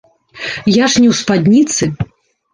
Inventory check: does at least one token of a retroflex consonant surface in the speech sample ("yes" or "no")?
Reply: yes